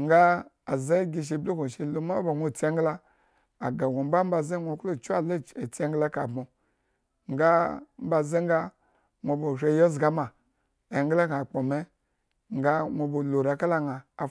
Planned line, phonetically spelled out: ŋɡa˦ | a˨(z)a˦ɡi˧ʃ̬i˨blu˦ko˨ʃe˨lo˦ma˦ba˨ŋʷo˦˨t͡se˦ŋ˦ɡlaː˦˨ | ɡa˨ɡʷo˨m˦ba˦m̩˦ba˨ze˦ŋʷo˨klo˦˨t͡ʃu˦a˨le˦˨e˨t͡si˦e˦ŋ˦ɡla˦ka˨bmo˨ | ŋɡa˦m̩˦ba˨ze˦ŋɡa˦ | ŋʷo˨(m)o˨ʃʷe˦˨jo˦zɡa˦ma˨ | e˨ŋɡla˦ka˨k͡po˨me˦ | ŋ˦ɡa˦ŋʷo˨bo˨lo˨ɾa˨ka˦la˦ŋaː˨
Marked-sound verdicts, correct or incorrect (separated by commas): correct, incorrect